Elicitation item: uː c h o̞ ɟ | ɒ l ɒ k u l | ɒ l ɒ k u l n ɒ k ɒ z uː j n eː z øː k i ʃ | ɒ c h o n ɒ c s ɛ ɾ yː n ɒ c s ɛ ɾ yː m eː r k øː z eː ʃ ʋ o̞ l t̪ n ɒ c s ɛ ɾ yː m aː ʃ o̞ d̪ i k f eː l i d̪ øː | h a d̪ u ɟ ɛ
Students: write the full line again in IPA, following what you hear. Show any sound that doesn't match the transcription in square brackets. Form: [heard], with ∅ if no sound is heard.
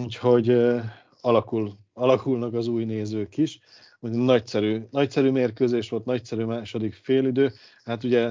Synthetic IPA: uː c h o̞ ɟ | ɒ l ɒ k u l | ɒ l ɒ k u l n ɒ k ɒ z uː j n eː z øː k i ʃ | [u] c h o n ɒ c s ɛ ɾ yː n ɒ c s ɛ ɾ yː m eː r k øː z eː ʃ ʋ o̞ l t̪ n ɒ c s ɛ ɾ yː m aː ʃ o̞ d̪ i k f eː l i d̪ øː | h a [t̪] u ɟ ɛ